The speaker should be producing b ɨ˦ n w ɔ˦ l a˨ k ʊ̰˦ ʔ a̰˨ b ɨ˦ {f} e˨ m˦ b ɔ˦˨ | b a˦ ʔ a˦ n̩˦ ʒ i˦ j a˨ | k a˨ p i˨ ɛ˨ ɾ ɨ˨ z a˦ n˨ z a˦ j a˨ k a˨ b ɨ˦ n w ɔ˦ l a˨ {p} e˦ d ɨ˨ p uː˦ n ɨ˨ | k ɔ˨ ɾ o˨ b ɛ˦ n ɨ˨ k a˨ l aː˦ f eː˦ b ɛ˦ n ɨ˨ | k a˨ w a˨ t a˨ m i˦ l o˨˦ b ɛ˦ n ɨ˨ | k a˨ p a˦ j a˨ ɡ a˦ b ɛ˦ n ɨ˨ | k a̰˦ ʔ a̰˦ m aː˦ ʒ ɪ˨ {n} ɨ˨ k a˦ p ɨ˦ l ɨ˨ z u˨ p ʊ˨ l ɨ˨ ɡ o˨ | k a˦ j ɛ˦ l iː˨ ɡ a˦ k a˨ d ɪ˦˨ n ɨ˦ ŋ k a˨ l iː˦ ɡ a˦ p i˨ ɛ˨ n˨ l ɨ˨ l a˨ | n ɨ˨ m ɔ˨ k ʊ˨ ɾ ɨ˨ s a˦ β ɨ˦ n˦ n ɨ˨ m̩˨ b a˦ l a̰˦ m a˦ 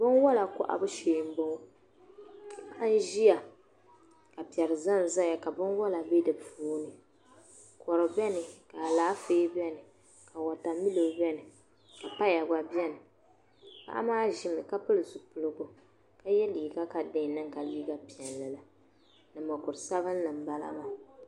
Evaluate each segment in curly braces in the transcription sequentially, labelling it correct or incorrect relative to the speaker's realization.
incorrect: ʃ, incorrect: b, incorrect: m

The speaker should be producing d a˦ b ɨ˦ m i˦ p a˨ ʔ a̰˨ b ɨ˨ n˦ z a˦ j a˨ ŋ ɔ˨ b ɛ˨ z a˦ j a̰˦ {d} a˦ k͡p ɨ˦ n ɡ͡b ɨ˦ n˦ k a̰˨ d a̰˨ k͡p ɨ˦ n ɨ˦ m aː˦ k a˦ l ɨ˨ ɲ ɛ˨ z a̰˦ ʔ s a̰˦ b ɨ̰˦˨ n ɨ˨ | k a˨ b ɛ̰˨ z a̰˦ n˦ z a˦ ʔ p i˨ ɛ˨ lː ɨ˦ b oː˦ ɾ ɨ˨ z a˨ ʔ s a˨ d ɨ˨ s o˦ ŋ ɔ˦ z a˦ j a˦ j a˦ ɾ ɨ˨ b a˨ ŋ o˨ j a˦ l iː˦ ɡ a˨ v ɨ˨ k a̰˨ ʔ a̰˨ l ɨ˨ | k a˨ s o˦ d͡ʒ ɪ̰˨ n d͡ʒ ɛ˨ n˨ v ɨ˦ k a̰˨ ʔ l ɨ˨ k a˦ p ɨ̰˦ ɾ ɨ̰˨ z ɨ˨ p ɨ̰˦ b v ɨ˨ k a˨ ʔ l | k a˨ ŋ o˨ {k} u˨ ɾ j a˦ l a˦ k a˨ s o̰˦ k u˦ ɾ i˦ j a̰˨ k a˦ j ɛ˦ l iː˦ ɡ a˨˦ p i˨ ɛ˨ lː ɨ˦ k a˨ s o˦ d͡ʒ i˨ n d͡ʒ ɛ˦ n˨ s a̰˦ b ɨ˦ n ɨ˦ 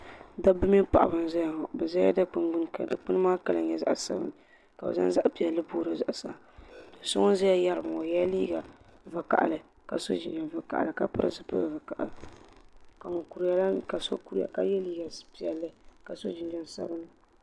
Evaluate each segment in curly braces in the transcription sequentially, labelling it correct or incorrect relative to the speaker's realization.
correct, correct

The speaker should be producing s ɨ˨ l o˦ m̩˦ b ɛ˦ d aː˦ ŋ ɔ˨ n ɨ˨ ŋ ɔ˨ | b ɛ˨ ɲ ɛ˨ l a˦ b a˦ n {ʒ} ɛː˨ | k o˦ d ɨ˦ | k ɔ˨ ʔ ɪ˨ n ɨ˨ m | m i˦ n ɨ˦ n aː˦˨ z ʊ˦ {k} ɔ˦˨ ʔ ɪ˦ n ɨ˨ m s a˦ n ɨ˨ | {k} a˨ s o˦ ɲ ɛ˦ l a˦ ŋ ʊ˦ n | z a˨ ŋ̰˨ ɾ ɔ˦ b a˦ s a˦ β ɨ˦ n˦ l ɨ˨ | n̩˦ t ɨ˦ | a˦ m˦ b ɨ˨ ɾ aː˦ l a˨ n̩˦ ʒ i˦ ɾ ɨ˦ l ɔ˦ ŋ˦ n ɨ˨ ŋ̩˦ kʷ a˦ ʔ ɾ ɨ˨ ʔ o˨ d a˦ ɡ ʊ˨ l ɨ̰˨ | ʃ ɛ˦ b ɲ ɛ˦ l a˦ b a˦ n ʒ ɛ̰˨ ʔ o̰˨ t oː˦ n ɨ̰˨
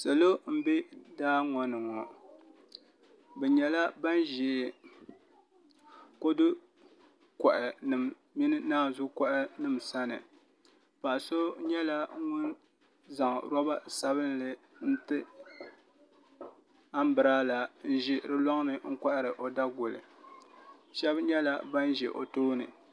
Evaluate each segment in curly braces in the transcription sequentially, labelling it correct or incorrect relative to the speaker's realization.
correct, correct, incorrect: p

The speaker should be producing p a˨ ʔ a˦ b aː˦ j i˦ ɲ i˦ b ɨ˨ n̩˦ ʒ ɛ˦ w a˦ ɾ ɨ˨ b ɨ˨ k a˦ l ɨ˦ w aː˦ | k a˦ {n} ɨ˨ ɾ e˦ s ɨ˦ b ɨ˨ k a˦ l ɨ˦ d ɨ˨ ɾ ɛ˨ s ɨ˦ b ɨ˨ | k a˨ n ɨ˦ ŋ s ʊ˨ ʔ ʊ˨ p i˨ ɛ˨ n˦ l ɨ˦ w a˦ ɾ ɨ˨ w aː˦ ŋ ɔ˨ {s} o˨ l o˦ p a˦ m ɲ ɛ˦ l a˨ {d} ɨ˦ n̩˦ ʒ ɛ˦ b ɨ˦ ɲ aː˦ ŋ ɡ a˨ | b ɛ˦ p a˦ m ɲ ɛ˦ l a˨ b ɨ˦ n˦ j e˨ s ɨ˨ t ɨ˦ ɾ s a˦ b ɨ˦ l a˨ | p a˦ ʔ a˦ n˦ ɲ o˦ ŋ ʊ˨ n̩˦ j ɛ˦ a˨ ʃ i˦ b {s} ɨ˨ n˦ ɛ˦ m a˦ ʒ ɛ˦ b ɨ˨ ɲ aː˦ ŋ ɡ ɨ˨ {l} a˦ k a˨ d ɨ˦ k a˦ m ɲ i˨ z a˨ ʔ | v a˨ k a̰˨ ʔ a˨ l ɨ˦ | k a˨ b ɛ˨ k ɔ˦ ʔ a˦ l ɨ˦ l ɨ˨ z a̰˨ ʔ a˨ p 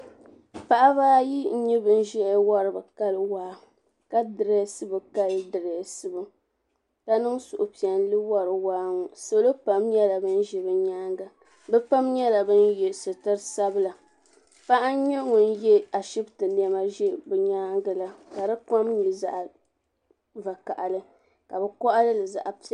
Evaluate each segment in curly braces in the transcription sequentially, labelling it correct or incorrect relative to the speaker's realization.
incorrect: d, correct, incorrect: b, incorrect: t, correct

